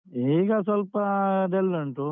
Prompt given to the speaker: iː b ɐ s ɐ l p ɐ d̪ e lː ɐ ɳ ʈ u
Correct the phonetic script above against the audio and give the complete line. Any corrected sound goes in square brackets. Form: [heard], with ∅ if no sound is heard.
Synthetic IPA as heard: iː [ɡ] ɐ s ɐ l p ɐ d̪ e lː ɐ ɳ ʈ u